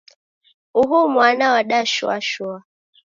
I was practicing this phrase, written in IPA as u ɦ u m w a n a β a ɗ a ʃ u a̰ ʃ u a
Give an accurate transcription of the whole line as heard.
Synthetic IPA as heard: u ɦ u m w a n a w a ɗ a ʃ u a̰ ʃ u a